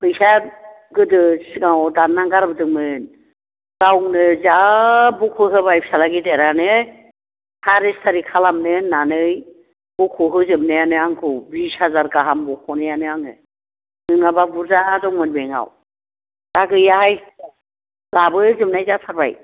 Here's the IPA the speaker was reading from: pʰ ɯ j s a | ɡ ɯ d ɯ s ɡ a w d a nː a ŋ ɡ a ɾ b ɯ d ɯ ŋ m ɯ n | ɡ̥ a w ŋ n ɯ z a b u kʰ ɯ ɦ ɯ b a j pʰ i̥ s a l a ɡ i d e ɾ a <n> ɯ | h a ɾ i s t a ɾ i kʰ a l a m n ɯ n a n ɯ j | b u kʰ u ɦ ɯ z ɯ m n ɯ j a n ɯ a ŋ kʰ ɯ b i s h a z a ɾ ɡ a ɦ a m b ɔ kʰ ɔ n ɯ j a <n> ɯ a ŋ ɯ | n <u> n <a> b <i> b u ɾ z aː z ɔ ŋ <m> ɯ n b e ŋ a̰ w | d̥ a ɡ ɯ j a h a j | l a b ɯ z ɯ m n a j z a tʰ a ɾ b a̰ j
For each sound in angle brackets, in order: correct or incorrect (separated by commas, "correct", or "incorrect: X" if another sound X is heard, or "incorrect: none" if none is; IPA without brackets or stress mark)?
correct, correct, incorrect: ɯ, correct, incorrect: a, correct